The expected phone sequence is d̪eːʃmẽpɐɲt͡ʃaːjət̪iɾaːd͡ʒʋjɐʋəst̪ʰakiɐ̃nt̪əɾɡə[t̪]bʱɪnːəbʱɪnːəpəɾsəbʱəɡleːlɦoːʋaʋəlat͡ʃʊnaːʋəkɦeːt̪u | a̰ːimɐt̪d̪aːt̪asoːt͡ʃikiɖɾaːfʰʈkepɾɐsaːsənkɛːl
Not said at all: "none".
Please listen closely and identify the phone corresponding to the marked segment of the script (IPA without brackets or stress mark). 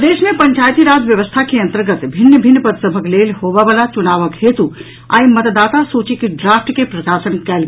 t̪